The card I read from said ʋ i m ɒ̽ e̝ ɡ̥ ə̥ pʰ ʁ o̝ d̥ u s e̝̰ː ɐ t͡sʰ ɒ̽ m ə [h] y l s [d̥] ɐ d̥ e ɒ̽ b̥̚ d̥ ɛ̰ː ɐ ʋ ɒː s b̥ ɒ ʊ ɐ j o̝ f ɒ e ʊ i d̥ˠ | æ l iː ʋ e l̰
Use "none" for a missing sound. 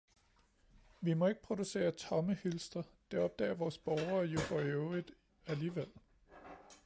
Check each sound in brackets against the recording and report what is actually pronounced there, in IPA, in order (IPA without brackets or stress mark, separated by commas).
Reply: h, d̥